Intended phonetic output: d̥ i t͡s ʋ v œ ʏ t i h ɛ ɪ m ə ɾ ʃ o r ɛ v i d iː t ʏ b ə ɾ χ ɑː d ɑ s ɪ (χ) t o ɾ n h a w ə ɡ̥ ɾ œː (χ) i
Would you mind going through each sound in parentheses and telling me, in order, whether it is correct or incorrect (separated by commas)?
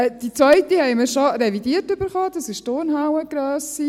incorrect, incorrect